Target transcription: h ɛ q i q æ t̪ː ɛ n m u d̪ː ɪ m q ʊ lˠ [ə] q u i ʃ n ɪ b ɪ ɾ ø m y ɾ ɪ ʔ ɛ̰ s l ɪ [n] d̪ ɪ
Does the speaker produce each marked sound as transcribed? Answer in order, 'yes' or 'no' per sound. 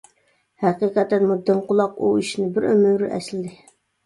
no, no

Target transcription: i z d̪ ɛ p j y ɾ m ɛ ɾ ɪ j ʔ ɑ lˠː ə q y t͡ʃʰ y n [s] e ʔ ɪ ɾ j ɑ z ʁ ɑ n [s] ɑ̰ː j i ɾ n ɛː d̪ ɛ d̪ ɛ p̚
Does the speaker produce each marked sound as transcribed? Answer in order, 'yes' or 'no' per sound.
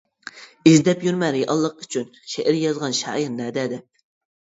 no, no

